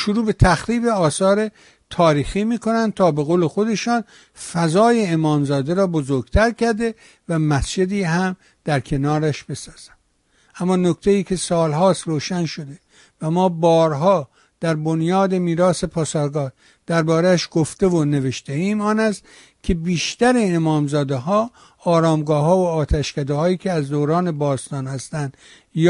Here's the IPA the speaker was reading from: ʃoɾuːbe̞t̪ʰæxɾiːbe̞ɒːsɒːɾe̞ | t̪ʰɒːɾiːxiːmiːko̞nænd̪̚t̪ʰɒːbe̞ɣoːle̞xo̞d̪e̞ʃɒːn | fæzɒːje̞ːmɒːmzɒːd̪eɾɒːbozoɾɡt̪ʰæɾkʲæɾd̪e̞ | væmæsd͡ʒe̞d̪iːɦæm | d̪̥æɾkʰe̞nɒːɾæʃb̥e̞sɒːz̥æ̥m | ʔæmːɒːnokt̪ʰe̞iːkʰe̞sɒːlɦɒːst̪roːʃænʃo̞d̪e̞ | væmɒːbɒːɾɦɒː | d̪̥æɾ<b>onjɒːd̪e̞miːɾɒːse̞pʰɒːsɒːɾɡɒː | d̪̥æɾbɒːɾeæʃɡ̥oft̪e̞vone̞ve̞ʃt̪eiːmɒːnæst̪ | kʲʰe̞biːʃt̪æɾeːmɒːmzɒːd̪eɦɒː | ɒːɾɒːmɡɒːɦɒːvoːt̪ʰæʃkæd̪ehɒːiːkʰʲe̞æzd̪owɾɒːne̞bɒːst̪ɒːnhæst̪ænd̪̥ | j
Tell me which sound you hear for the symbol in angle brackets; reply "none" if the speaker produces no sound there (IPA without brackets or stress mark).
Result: b